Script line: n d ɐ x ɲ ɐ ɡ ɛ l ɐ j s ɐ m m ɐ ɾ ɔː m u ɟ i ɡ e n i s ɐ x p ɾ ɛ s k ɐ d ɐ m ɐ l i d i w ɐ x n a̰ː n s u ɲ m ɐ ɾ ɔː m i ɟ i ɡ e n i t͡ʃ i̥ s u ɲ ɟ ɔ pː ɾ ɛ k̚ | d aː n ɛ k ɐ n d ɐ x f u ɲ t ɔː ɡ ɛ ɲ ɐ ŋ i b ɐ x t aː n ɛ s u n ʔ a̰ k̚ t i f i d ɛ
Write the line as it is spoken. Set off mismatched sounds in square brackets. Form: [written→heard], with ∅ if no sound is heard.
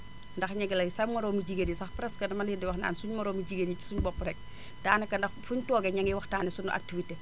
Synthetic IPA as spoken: n d ɐ x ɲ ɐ ɡ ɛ l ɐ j s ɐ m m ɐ ɾ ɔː m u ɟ i ɡ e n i s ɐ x p ɾ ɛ s k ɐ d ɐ m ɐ l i d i w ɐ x n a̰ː n s u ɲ m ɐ ɾ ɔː m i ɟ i ɡ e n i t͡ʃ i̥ s u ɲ [ɟ→b] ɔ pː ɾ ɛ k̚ | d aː n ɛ k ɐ n d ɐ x f u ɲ t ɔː ɡ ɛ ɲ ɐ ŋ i [b→w] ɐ x t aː n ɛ s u n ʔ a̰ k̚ t i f i [d→t] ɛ